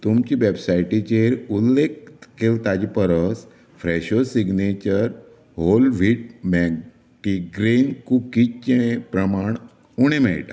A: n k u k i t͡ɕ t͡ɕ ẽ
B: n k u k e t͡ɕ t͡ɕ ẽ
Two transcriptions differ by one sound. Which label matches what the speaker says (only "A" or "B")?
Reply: A